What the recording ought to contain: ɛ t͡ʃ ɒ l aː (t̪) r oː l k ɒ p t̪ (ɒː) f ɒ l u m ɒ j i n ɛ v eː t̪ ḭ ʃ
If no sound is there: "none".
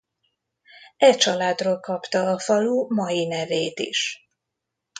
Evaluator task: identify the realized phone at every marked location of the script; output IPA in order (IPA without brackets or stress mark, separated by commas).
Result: d̪, ɒː